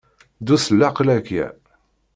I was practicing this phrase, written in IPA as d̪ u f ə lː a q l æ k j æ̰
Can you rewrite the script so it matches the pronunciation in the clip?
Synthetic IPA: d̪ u s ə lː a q l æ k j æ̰